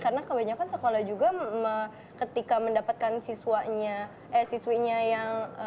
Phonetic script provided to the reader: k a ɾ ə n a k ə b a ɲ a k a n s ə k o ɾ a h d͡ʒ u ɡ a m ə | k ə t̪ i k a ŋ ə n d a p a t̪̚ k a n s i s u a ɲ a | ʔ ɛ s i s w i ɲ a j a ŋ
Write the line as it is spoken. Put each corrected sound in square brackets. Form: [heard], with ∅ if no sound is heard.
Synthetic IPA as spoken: k a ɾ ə n a k ə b a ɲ a k a n s ə k o [l] a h d͡ʒ u ɡ a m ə | k ə t̪ i k a [m] ə n d a p a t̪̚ k a n s i s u a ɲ a | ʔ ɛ s i s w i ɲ a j a ŋ